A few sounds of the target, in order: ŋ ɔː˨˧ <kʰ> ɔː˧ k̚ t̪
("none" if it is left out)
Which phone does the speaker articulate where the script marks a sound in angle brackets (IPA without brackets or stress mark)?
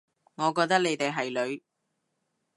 k